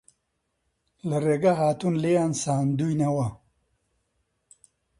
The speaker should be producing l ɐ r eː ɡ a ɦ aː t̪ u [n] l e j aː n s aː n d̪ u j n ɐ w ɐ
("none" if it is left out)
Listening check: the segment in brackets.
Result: n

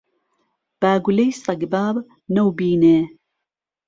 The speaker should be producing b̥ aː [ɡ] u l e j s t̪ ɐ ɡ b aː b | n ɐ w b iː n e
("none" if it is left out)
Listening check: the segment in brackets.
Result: ɡ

